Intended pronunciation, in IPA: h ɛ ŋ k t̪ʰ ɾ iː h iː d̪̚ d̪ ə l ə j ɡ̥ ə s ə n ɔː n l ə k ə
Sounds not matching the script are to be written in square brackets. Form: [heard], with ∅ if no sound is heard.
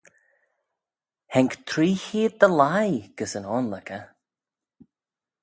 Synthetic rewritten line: h ɛ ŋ k t̪ʰ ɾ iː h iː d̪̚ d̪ ə l [a] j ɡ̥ ə s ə n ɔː n l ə k ə